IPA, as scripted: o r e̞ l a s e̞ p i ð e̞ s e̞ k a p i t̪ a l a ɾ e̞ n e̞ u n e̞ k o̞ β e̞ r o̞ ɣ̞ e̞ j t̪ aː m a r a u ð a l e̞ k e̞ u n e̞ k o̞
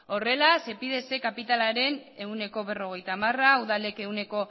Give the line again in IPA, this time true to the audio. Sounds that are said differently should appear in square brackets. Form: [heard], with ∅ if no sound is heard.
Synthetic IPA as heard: o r e̞ l a s e̞ p i ð e̞ s e̞ k a p i t̪ a l a ɾ e̞ n e̞ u n e̞ k o̞ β e̞ r o̞ ɣ̞ e̞ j t̪ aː m a r a u ð a l e̞ k e̞ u n e̞ k o̞